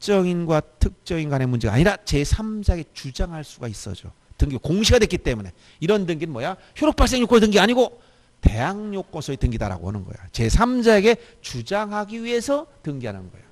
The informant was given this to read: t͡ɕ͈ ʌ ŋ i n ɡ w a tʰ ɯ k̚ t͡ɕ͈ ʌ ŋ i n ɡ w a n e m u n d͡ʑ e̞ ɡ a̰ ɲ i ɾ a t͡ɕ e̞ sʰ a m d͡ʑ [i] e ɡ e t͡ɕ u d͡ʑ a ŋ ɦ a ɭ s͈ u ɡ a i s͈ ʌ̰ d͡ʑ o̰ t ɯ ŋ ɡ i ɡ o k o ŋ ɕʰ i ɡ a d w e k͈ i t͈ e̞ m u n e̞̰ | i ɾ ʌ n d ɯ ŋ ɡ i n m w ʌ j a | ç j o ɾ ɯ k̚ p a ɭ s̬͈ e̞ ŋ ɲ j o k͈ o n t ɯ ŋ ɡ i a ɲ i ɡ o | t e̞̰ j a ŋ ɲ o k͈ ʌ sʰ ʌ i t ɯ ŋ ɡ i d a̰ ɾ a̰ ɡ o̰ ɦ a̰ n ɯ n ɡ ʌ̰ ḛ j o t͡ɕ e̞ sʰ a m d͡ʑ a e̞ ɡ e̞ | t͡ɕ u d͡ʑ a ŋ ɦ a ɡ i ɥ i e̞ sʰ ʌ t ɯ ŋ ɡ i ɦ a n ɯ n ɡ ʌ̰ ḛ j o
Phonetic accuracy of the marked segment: incorrect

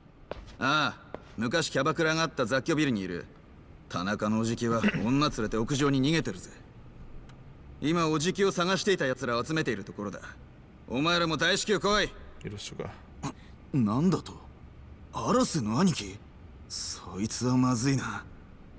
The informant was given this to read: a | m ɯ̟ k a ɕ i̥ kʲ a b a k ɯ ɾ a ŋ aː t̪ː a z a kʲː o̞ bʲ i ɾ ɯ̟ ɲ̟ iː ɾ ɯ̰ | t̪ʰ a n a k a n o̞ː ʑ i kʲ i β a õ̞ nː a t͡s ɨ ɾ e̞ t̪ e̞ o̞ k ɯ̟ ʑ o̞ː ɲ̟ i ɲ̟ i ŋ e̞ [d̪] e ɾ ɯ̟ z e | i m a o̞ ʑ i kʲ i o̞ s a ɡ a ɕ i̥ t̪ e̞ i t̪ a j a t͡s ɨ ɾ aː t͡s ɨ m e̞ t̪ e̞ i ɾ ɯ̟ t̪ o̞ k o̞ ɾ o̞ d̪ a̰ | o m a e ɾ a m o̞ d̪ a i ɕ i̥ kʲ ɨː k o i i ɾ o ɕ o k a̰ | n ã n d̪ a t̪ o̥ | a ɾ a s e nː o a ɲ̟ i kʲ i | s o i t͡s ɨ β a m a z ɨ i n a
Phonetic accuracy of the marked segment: incorrect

